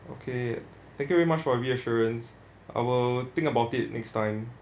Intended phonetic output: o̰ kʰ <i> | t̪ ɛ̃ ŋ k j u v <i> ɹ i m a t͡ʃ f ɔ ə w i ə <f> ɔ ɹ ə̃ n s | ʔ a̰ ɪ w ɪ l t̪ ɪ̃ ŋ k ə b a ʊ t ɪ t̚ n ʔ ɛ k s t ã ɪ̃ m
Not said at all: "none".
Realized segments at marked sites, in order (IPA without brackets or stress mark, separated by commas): e, ɛ, ʃ